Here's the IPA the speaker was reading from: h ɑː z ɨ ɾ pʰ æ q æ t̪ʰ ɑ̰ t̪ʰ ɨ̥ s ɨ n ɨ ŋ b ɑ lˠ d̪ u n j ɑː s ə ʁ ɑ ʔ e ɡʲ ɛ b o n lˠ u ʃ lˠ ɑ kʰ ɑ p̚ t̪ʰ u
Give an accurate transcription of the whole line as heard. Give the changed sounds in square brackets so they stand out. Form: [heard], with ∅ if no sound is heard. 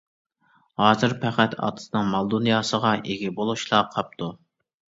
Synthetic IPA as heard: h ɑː z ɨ ɾ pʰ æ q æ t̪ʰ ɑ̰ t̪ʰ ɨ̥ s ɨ n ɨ ŋ [m] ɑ lˠ d̪ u n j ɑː s ə ʁ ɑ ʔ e ɡʲ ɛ b o [∅] lˠ u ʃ lˠ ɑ [qʰ] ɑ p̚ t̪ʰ u